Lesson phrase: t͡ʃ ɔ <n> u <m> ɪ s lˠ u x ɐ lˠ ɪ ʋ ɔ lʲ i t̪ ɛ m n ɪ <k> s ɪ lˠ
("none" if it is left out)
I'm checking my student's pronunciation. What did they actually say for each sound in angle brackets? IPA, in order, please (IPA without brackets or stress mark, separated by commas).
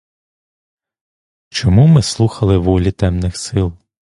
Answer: m, m, x